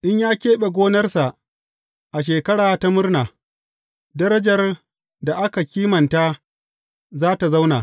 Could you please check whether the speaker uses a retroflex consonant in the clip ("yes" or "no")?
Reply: yes